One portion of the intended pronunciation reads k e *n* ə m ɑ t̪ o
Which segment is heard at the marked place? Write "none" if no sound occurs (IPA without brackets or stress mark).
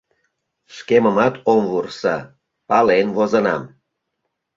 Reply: m